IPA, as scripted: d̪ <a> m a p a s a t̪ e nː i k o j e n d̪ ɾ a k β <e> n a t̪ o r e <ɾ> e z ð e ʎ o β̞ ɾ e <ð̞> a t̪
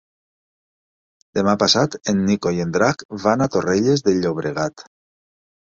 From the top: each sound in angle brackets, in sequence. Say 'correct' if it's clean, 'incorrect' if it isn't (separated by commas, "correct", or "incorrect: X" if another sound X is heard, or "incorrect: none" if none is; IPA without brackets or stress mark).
incorrect: e, incorrect: a, incorrect: ʎ, incorrect: ɣ̞